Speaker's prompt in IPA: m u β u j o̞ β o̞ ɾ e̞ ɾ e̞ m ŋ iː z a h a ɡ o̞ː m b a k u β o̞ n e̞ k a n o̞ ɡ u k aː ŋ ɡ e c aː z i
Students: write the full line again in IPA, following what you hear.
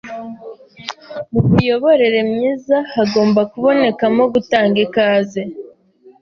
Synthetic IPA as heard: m u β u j o̞ β o̞ ɾ e̞ ɾ e̞ m ɲ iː z a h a ɡ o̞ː m b a k u β o̞ n e̞ k a m o̞ ɡ u t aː ŋ ɡ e k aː z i